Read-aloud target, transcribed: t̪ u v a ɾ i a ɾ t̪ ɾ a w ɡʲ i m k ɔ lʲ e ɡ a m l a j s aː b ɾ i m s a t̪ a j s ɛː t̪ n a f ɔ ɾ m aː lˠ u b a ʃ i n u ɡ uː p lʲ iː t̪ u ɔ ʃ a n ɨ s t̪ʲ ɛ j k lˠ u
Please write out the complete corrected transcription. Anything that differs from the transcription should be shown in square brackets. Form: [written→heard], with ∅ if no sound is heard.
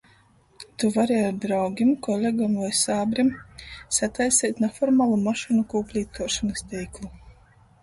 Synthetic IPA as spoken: t̪ u v a ɾ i a ɾ [t̪→d̪] ɾ a w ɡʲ i m k ɔ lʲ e ɡ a m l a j s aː b ɾ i m s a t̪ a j s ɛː t̪ n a f ɔ ɾ m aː lˠ u [b→m] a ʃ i n u [ɡ→k] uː p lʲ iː t̪ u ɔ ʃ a n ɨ s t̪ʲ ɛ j k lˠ u